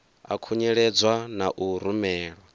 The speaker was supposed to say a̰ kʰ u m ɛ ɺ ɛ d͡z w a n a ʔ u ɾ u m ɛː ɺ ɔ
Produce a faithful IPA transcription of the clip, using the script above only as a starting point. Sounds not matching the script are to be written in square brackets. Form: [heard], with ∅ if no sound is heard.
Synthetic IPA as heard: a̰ kʰ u [ɲ] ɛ ɺ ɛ d͡z w a n a ʔ u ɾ u m ɛː ɺ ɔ